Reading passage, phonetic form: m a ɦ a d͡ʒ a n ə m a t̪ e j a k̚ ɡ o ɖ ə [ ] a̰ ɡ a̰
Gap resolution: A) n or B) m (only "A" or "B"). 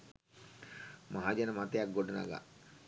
A